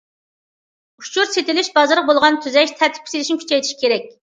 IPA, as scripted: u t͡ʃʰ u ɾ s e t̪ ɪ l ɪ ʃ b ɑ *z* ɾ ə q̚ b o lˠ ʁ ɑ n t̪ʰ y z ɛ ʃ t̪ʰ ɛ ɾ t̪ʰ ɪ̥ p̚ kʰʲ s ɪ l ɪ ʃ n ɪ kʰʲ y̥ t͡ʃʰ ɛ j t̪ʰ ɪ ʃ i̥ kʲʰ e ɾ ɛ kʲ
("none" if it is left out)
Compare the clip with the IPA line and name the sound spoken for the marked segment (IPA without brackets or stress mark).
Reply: z